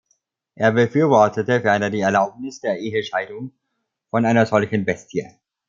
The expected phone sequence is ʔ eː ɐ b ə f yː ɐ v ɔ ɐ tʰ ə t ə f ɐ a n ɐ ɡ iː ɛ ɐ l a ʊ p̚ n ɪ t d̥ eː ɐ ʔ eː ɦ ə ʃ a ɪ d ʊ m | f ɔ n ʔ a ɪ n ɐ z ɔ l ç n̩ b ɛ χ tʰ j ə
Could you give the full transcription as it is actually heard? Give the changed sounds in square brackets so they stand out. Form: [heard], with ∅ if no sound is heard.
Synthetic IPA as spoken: ʔ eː ɐ b ə f yː ɐ v ɔ ɐ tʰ ə t ə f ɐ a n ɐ [d] iː ɛ ɐ l a ʊ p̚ n ɪ [s] d̥ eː ɐ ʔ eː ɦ ə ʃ a ɪ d ʊ [ŋ] | f ɔ n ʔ a ɪ n ɐ z ɔ l ç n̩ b ɛ [s] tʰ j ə